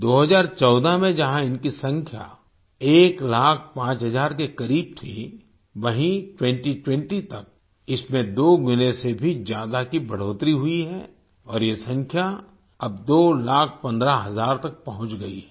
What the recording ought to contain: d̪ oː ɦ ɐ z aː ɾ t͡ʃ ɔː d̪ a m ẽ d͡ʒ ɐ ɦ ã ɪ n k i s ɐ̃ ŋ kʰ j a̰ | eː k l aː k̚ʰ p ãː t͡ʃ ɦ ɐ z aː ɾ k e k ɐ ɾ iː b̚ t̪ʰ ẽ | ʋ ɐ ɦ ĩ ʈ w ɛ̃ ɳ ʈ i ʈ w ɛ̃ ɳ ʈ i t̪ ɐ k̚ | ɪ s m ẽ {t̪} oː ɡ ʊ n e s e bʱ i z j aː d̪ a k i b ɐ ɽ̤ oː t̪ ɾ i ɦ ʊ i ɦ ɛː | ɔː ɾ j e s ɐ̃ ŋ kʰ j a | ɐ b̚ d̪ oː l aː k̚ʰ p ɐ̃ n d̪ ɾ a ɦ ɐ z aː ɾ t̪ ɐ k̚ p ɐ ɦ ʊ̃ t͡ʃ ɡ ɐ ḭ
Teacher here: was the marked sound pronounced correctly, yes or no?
no